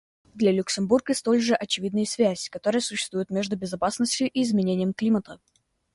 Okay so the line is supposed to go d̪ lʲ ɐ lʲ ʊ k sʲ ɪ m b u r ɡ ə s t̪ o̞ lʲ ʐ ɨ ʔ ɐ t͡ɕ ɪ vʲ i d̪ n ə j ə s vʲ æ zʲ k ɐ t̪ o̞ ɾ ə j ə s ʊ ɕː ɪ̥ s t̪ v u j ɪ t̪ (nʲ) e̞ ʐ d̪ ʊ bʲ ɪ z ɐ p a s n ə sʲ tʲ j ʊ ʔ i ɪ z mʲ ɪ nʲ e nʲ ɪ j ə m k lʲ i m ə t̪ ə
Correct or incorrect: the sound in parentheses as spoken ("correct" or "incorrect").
incorrect